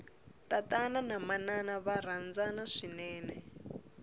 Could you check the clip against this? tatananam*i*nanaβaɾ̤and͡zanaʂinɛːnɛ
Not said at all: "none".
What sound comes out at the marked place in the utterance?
a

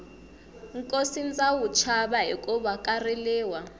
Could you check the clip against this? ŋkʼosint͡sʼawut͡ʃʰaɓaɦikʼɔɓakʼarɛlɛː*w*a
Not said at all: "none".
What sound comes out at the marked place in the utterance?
w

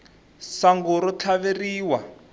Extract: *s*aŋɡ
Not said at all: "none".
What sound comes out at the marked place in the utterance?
s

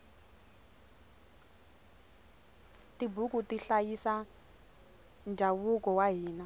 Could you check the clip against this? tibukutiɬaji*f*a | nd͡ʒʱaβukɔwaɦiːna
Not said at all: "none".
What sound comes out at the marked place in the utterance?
s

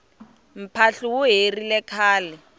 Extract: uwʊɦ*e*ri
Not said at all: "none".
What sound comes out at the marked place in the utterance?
e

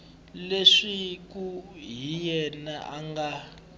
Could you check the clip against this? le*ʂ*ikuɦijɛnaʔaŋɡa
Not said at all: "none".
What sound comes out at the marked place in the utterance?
ʂ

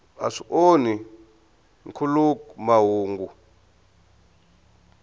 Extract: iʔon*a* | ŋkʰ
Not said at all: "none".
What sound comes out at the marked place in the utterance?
i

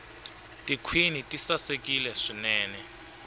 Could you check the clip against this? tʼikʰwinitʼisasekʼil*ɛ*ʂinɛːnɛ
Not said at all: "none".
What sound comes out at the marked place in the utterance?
ɛ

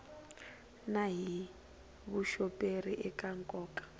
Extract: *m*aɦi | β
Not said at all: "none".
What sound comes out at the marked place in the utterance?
n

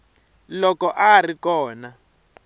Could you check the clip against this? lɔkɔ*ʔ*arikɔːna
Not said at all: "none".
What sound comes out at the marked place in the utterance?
ʔ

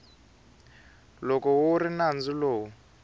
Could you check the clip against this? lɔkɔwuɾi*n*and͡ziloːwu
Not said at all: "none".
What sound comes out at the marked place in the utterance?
n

